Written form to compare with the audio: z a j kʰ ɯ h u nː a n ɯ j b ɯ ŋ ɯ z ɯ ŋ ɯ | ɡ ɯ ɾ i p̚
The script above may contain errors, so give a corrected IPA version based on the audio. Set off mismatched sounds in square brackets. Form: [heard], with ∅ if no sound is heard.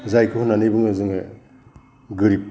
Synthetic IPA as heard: z a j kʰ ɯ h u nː a n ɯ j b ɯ ŋ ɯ z ɯ ŋ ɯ | ɡ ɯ ɾ i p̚